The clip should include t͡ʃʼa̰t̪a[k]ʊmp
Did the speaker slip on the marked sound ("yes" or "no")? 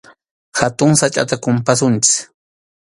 no